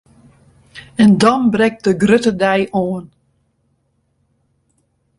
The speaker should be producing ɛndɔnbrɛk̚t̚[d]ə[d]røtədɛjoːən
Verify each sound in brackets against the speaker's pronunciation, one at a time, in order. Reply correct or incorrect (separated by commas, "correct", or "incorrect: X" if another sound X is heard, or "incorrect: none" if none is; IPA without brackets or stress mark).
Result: correct, incorrect: ɡ